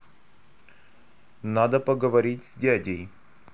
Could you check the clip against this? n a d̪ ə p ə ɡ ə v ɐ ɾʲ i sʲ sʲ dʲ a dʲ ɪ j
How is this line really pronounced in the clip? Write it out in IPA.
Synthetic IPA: n a d̪ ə p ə ɡ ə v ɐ ɾʲ i tʲ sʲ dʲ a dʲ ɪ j